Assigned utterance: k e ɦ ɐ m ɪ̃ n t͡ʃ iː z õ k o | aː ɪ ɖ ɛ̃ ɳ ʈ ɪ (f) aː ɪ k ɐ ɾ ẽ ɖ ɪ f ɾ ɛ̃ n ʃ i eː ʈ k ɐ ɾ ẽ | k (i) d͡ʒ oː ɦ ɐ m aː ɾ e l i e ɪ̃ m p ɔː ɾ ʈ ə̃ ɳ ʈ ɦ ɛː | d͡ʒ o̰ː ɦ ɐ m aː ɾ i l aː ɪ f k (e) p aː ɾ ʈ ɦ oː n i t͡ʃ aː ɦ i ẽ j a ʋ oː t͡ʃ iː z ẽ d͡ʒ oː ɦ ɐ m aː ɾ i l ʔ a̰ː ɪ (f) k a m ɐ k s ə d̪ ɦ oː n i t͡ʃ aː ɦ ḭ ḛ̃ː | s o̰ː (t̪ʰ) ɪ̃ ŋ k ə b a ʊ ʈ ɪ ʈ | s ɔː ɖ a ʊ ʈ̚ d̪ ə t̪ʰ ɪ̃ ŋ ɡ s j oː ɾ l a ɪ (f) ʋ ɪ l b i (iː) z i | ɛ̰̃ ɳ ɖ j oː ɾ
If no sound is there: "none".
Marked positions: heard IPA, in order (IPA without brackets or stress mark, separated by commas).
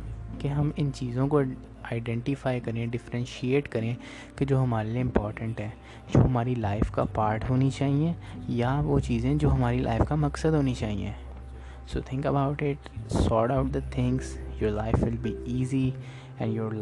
f, e, a, f, t̪ʰ, f, iː